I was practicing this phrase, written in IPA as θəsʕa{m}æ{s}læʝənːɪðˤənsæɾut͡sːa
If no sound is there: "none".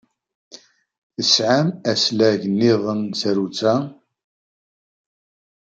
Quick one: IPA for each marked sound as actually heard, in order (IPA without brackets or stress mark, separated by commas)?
m, s